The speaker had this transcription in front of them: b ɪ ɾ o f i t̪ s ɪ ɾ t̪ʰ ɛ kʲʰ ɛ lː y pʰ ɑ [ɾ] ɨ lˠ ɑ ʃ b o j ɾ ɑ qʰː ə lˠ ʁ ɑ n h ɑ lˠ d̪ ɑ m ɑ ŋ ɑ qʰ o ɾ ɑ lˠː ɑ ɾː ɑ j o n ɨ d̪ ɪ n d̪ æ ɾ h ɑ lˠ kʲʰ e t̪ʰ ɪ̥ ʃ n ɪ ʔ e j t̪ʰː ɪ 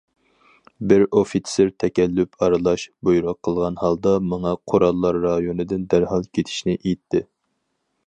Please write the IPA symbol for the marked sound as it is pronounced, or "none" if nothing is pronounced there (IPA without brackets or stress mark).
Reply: ɾ